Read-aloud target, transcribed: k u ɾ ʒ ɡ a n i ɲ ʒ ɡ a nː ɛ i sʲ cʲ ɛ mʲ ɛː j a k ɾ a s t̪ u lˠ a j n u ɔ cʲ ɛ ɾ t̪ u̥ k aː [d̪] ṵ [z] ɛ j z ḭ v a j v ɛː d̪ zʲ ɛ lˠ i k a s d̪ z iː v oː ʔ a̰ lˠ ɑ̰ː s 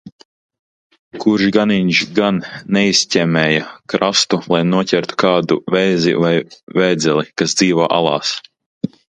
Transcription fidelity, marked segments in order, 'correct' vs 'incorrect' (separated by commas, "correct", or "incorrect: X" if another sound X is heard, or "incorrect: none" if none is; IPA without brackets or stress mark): correct, incorrect: v